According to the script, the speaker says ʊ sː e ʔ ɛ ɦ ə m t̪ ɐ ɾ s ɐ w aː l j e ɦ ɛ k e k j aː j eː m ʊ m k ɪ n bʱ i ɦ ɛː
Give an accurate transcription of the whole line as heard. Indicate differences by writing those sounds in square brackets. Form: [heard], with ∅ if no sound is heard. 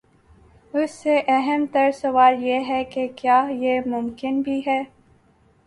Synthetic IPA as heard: ʊ sː e ʔ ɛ ɦ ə m t̪ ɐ ɾ s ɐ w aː l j e ɦ ɛ k e k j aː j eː m ʊ m k ɪ n bʱ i ɦ ɛː